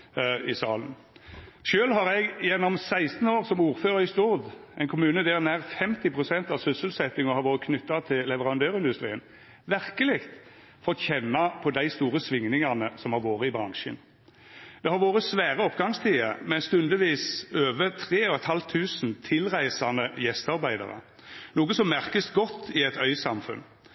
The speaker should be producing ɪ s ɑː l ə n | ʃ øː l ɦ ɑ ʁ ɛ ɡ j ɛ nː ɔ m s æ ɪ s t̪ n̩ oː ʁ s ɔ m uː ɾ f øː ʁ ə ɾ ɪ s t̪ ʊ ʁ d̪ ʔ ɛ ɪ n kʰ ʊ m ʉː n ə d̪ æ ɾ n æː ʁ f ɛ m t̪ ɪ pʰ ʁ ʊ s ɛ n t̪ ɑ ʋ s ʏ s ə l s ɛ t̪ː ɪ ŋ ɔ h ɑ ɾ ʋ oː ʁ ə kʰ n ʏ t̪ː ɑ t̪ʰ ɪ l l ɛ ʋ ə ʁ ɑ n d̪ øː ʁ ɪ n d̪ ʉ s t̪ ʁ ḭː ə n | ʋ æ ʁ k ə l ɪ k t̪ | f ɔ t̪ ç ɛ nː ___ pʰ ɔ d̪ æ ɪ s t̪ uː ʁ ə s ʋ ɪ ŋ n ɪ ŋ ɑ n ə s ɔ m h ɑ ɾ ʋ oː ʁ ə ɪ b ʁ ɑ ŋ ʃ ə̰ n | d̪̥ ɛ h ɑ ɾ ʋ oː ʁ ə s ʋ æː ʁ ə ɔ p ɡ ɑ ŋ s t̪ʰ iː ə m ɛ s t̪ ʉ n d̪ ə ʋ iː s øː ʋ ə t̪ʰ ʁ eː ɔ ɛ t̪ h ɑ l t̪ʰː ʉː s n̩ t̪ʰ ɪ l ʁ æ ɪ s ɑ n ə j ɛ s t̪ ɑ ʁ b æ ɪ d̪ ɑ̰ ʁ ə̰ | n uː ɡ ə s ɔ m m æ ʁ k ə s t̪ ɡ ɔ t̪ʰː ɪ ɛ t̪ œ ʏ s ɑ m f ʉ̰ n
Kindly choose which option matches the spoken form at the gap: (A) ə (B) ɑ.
B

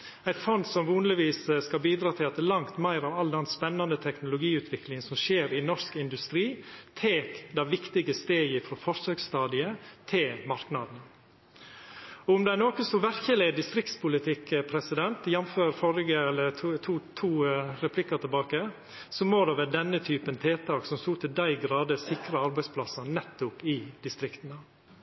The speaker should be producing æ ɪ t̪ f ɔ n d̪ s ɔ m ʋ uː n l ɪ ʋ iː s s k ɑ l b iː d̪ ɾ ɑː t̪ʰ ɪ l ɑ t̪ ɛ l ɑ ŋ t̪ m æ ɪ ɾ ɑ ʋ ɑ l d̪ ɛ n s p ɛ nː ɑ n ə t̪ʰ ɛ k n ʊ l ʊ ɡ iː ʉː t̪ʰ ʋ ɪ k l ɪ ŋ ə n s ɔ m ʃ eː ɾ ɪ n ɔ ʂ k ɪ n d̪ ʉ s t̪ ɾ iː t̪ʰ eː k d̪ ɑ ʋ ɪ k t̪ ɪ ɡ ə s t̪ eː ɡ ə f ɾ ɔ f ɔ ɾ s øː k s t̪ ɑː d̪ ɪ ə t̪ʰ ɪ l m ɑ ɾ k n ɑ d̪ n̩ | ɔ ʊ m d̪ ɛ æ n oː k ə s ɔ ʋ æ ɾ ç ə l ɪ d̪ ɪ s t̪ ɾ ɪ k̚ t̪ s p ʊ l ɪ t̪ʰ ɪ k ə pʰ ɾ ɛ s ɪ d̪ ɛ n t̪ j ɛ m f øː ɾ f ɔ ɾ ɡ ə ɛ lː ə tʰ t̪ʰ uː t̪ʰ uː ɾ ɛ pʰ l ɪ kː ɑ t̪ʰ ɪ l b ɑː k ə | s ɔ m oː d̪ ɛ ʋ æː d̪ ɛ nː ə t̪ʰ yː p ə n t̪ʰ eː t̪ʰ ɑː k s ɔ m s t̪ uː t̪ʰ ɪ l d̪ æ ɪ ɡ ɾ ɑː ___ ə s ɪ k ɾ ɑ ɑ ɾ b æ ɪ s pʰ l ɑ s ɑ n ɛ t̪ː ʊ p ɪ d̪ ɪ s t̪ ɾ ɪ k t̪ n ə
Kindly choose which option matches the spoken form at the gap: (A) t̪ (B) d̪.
B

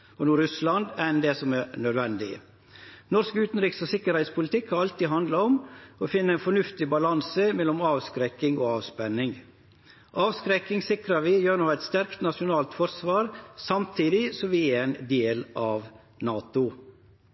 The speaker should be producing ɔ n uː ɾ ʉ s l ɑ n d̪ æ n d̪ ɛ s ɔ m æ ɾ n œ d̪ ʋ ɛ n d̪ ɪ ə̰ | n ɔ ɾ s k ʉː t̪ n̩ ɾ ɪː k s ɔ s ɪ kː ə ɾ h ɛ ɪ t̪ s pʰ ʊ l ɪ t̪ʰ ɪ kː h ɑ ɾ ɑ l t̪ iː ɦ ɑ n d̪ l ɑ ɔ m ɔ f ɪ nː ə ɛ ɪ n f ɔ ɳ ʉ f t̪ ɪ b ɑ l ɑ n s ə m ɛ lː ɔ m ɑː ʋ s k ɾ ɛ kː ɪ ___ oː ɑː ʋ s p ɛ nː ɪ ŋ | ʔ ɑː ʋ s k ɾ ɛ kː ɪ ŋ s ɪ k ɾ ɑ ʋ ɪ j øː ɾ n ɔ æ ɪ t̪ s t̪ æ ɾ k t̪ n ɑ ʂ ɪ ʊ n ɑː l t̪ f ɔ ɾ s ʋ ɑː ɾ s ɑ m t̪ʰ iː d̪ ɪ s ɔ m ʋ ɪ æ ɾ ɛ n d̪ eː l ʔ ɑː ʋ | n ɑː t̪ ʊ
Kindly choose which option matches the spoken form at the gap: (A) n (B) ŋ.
B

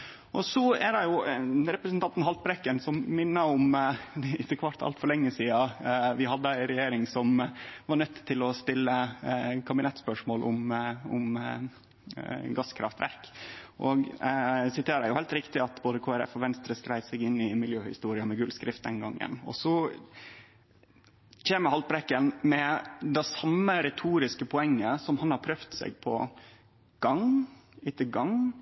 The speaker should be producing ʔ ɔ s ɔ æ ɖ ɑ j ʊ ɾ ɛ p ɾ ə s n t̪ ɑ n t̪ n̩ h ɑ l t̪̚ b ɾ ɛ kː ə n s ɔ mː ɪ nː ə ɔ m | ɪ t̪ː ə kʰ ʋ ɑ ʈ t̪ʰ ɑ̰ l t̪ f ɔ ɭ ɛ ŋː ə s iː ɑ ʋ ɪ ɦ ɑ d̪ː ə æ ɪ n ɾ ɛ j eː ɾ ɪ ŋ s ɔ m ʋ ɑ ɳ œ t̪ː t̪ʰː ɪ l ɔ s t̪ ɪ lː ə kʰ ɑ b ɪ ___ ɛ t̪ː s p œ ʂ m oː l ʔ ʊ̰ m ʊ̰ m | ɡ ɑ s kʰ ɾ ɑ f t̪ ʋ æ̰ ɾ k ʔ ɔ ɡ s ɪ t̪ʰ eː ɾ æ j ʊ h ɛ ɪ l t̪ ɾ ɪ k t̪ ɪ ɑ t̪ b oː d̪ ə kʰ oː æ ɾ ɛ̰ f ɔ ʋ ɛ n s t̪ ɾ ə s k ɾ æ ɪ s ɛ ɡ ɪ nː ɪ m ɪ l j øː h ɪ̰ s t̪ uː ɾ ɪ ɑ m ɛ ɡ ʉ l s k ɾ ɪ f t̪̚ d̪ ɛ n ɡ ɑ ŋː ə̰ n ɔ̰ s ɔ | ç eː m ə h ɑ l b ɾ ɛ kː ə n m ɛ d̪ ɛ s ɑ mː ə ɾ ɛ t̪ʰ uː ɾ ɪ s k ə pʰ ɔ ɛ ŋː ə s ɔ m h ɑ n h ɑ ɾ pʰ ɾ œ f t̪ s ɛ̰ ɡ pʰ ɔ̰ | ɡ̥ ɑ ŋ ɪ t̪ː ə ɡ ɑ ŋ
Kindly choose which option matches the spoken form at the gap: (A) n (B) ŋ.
A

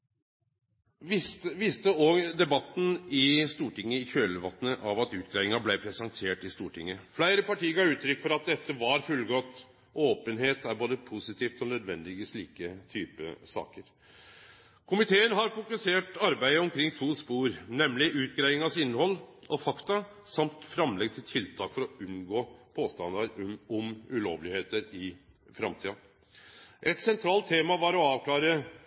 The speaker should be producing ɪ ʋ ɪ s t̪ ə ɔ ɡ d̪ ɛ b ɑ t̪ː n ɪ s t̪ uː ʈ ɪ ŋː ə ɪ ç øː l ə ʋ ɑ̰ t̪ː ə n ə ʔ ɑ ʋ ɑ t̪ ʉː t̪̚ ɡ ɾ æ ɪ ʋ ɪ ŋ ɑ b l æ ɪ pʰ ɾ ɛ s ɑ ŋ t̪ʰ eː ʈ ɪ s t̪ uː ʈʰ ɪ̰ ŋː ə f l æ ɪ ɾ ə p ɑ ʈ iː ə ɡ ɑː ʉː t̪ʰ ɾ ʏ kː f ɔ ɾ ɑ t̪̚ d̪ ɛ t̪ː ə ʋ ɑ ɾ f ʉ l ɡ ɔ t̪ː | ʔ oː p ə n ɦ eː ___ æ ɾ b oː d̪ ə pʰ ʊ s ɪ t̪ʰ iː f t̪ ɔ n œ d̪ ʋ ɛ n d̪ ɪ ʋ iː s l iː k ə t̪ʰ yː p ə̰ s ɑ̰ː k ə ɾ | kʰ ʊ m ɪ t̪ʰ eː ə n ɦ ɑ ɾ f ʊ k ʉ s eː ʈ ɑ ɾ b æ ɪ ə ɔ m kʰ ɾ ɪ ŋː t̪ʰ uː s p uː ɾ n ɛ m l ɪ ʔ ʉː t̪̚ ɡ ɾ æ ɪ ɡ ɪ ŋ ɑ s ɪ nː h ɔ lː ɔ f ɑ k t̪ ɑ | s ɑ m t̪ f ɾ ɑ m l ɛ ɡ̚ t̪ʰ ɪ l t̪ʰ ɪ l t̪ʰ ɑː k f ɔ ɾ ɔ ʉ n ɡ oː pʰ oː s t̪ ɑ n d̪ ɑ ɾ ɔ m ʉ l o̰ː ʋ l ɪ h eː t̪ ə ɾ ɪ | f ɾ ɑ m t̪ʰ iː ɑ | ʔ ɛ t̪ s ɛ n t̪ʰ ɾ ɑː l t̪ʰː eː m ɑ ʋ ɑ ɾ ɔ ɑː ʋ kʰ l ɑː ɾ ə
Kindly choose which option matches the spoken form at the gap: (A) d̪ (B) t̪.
B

